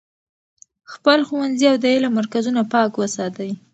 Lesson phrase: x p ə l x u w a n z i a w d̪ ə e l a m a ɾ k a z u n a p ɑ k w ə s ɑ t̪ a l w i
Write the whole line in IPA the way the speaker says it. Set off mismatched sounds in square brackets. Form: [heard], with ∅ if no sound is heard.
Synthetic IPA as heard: x p ə l x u w a n z i a w d̪ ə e l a m a ɾ k a z u n a p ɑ k w ə s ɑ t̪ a [∅] w i